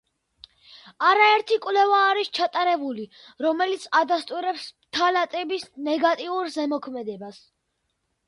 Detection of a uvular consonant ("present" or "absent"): absent